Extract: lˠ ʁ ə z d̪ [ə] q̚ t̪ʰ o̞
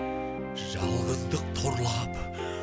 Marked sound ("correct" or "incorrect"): correct